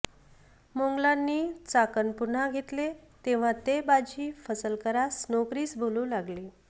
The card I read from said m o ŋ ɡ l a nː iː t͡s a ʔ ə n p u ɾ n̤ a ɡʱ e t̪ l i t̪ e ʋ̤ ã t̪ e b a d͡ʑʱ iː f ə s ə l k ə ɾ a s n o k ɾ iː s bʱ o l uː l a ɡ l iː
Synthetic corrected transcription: m o ŋ ɡ l a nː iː t͡s a k ə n p u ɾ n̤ a ɡʱ e t̪ l e t̪ e ʋ̤ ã t̪ e b a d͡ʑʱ iː f ə s ə l k ə ɾ a s n o k ɾ iː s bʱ o l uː l a ɡ l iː

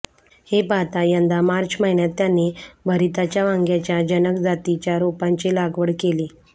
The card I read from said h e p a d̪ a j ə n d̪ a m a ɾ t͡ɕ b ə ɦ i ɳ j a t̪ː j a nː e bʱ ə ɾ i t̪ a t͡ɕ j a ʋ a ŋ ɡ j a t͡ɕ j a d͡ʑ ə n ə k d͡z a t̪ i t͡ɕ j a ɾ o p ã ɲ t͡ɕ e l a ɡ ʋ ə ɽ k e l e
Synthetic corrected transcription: h e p a t̪ a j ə n d̪ a m a ɾ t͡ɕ m ə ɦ i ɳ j a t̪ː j a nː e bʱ ə ɾ i t̪ a t͡ɕ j a ʋ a ŋ ɡ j a t͡ɕ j a d͡ʑ ə n ə k d͡z a t̪ i t͡ɕ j a ɾ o p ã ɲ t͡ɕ e l a ɡ ʋ ə ɽ k e l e

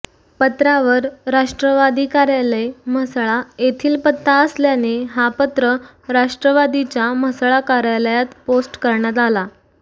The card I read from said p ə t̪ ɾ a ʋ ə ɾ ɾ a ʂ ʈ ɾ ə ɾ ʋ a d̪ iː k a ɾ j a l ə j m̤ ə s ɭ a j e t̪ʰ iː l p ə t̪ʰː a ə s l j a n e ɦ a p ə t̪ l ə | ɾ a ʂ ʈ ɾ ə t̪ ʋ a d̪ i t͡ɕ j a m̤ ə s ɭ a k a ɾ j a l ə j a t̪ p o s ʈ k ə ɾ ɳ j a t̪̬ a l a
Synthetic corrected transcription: p ə t̪ ɾ a ʋ ə ɾ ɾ a ʂ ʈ ɾ ə ʋ a d̪ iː k a ɾ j a l ə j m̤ ə s ɭ a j e t̪ʰ iː l p ə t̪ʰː a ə s l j a n e ɦ a p ə t̪ ɾ ə | ɾ a ʂ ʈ ɾ ə ʋ a d̪ i t͡ɕ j a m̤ ə s ɭ a k a ɾ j a l ə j a t̪ p o s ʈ k ə ɾ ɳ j a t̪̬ a l a

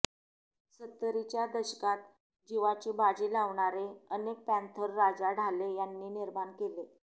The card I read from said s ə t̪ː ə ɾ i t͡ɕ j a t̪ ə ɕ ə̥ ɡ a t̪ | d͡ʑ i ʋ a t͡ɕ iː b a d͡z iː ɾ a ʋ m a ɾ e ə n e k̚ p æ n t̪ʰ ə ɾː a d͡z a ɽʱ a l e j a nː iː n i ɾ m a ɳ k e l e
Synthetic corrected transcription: s ə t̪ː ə ɾ i t͡ɕ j a d̪ ə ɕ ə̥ k a t̪ | d͡ʑ i ʋ a t͡ɕ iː b a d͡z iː l a ʋ ɳ a ɾ e ə n e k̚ p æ n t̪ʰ ə ɾː a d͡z a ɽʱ a l e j a nː iː n i ɾ m a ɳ k e l e

